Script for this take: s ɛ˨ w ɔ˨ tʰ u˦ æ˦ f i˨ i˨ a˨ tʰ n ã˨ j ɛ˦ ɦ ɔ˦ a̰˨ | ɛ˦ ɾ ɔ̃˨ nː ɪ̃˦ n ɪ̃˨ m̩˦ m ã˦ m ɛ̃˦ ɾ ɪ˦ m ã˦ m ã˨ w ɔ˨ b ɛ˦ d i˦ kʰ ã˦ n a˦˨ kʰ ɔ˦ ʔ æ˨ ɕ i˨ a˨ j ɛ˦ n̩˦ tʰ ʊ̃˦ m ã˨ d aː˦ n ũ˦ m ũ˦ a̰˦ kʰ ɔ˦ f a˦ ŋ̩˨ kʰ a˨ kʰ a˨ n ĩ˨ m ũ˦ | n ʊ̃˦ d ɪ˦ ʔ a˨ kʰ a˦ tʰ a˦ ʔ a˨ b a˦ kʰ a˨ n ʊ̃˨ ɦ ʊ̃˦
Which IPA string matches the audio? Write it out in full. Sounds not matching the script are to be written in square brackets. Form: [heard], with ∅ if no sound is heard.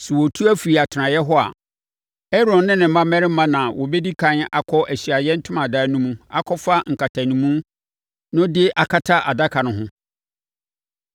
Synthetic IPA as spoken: s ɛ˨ w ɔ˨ tʰ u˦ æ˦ f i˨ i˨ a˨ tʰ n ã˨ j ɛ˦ ɦ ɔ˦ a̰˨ | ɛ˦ ɾ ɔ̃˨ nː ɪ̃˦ n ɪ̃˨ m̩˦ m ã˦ m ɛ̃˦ ɾ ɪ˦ m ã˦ [n] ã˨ w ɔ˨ b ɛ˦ d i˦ kʰ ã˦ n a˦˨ kʰ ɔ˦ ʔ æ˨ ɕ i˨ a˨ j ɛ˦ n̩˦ tʰ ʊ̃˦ m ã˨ d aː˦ n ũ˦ m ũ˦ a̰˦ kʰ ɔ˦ f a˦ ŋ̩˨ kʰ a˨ [tʰ] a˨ n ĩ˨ m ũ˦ | n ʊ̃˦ d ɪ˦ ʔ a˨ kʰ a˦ tʰ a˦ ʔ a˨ [d] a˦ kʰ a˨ n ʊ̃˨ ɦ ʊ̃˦

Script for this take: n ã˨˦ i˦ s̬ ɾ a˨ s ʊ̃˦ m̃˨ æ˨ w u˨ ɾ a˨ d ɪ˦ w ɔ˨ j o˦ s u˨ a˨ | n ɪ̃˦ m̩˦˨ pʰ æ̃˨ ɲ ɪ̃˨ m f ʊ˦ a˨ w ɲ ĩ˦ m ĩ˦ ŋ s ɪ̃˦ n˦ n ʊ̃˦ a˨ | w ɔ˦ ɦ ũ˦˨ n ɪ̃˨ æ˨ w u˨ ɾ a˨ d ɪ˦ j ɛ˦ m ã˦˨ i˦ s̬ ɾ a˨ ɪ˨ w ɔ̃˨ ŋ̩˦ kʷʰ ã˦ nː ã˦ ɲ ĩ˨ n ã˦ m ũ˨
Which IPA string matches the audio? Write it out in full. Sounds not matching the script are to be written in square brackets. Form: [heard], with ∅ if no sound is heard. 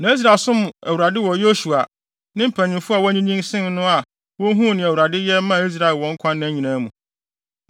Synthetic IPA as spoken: n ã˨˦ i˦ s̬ ɾ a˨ s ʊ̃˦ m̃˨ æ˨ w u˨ ɾ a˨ d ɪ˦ w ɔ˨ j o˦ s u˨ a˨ | n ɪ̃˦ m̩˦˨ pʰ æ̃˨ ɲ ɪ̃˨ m f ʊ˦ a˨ w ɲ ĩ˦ [ɲ] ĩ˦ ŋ s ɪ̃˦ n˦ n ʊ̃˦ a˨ | w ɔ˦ ɦ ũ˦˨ n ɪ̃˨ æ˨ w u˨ ɾ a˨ d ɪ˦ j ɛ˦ m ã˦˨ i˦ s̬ ɾ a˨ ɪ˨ w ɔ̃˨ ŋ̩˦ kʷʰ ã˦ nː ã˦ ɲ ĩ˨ n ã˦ m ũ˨

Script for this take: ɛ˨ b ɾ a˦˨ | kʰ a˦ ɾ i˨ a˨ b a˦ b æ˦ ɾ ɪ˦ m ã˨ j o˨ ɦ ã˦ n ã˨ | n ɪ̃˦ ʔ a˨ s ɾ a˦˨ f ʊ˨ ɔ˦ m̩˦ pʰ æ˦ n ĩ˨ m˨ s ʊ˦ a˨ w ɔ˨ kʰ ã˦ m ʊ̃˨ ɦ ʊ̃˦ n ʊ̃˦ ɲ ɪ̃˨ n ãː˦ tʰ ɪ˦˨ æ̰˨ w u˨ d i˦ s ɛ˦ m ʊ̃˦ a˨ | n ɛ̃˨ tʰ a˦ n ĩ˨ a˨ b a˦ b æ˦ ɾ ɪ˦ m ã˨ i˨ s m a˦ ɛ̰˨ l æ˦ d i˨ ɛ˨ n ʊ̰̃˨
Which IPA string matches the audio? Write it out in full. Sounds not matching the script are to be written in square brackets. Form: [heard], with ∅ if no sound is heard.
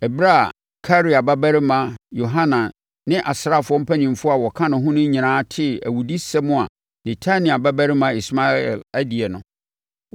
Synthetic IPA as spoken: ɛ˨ b ɾ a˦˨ | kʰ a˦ ɾ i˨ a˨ b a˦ b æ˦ ɾ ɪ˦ m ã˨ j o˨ ɦ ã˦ n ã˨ | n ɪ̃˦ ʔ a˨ s ɾ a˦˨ f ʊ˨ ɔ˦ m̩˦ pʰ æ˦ n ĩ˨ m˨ [f] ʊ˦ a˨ w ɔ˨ kʰ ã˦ [n] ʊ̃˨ ɦ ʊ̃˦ n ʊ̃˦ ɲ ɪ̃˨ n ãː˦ tʰ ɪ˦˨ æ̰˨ w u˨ d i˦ s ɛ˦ m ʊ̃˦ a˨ | n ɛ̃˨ tʰ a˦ n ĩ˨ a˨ b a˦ b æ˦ ɾ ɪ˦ m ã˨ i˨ s m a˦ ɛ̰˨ l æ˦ d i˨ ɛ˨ n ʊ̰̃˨

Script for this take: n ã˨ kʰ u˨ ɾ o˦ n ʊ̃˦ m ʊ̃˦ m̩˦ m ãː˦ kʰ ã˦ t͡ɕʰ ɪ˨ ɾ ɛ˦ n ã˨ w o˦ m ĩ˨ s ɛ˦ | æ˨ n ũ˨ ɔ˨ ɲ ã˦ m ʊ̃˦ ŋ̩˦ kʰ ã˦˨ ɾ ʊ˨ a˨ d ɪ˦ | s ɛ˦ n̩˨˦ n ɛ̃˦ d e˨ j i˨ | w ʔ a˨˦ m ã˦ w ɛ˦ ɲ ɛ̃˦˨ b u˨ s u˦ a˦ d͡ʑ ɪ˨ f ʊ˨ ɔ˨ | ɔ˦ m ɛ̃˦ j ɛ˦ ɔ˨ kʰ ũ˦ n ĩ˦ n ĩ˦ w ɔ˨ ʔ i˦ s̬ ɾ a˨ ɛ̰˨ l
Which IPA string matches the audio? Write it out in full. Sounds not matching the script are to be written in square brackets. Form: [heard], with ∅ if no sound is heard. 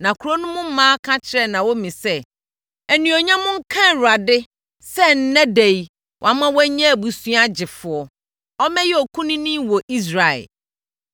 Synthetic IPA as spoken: n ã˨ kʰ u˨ ɾ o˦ n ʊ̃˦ m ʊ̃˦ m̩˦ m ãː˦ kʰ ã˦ t͡ɕʰ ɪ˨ ɾ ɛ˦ n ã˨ w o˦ m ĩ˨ s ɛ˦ | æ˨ n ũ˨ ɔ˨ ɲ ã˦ m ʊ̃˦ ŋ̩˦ kʰ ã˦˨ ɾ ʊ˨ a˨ d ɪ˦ | s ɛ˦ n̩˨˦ n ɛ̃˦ d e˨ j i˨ | w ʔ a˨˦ m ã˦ w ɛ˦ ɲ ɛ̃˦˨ b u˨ s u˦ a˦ d͡ʑ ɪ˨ f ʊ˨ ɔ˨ | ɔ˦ m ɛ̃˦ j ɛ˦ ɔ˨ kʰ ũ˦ n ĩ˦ n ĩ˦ w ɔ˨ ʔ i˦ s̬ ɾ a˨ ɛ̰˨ l

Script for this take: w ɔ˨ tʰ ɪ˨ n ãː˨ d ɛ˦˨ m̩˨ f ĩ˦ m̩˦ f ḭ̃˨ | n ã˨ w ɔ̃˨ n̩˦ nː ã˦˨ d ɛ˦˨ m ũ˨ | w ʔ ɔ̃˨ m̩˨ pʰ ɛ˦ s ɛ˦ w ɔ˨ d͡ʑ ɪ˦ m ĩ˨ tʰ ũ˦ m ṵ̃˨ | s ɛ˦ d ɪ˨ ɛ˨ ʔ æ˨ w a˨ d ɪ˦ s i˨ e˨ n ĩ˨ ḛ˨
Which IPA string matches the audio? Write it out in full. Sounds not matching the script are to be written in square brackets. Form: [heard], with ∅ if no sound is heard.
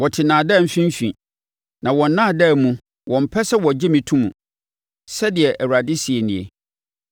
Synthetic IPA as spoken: w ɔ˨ tʰ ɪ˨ n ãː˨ d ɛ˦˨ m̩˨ f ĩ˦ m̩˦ f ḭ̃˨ | n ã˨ w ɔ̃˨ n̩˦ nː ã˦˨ d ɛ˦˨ m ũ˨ | w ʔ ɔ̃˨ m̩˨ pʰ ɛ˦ s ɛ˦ w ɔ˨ d͡ʑ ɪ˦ m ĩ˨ tʰ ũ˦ m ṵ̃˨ | s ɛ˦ d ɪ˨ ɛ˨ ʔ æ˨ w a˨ d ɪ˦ s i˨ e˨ n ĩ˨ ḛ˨

